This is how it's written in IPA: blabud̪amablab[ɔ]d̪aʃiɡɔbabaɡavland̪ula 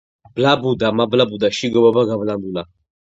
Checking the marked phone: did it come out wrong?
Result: yes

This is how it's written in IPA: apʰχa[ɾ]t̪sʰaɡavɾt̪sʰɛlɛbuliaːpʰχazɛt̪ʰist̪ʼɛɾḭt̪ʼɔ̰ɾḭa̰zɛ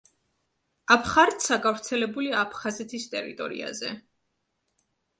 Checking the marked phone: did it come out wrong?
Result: no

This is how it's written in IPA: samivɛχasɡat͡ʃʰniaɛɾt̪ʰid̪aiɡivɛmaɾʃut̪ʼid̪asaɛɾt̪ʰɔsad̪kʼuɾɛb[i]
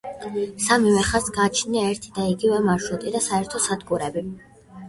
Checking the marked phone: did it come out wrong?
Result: no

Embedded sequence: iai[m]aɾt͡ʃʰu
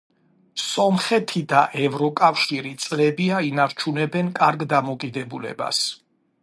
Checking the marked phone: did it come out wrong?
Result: yes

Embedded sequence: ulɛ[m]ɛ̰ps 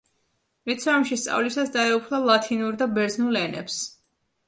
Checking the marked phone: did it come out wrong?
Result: yes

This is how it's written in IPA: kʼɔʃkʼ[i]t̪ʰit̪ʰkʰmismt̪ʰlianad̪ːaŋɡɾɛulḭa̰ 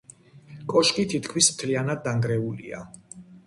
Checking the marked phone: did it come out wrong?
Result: no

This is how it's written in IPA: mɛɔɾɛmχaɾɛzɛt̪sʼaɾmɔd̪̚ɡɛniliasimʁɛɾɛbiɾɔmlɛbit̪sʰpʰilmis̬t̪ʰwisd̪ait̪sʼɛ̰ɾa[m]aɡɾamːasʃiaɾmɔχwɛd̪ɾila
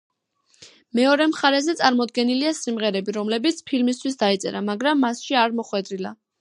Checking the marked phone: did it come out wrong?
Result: no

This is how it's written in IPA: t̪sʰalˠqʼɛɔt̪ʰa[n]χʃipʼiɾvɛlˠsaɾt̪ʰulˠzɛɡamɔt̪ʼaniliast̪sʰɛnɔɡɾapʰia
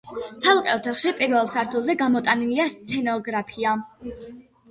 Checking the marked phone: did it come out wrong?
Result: yes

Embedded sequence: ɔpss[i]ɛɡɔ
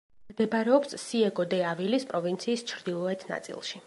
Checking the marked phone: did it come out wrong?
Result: no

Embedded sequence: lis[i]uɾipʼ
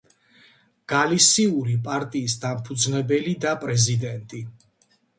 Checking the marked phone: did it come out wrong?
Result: no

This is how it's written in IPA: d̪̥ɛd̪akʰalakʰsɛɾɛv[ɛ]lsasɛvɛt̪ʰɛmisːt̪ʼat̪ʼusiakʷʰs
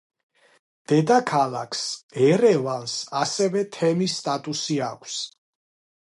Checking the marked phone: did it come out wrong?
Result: yes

